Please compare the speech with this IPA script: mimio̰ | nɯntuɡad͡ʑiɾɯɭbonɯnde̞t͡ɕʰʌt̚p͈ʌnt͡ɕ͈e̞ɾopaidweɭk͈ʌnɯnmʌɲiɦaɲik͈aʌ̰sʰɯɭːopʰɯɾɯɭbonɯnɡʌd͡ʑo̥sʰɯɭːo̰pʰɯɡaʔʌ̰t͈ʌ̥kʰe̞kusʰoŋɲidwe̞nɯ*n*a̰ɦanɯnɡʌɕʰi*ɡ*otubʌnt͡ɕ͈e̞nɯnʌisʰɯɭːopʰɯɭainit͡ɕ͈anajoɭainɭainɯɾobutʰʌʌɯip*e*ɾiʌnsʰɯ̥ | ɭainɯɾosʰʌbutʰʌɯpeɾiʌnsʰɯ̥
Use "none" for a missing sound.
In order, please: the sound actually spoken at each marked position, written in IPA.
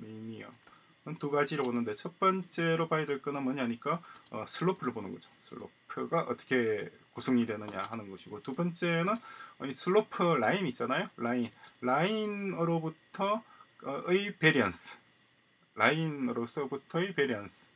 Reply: ɲ, ɡ, e

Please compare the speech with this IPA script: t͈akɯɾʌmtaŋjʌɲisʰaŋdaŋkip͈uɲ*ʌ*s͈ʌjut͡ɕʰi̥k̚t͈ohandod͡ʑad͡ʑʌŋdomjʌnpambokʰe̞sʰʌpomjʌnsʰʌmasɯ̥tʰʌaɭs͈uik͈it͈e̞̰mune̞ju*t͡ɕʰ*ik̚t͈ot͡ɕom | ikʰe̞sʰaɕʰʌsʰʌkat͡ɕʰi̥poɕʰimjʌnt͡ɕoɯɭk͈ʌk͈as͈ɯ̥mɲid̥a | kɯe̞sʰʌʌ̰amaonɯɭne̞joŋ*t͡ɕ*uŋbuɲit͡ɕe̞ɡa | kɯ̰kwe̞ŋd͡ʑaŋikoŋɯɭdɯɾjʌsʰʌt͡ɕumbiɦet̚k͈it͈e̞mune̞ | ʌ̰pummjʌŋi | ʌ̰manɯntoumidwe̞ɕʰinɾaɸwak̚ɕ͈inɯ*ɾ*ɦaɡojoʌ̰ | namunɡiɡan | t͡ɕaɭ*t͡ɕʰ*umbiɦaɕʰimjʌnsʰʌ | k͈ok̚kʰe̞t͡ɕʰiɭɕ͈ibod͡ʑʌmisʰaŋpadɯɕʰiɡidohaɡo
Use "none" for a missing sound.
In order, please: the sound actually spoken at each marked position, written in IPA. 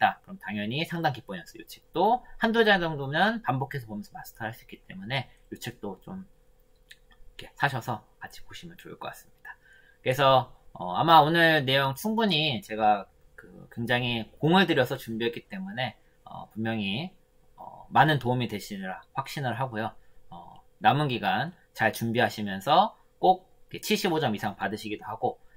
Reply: ʌ, t͡ɕʰ, t͡ɕʰ, ɭ, t͡ɕ

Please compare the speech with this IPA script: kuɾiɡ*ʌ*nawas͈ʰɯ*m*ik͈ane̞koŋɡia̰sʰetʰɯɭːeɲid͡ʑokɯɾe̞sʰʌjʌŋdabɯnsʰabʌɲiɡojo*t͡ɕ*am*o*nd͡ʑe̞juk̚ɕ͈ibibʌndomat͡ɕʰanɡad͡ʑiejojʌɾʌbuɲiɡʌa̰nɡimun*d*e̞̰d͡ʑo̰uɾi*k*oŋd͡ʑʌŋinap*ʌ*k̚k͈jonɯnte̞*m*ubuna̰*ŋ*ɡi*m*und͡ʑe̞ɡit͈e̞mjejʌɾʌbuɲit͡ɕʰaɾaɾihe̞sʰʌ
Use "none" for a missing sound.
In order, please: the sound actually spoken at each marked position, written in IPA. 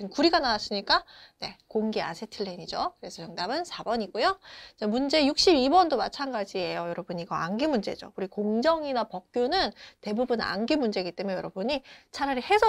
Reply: a, ɲ, t͡ɕ, u, d͡ʑ, k, ʌ, b, n, m

